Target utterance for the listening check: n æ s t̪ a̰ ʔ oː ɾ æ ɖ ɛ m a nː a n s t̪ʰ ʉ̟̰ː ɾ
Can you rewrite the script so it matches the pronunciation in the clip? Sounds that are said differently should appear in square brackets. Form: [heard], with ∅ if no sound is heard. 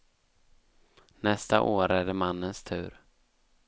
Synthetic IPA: n [ɛ] s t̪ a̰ ʔ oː ɾ æ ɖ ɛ m a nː [ə] n s t̪ʰ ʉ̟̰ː ɾ